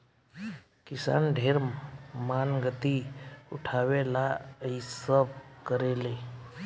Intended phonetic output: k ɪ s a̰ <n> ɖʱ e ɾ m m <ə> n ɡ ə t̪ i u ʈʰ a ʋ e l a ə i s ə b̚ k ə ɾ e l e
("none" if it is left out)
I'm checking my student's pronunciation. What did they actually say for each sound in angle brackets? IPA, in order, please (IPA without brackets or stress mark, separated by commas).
n, a